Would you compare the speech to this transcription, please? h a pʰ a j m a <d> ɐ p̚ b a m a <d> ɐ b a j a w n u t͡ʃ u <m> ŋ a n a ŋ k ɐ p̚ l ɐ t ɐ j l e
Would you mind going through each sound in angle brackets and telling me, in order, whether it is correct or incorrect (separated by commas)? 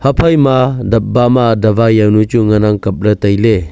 correct, correct, incorrect